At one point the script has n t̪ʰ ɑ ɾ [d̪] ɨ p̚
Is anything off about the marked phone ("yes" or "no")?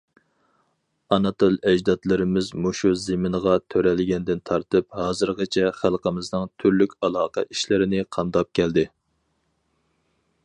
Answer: yes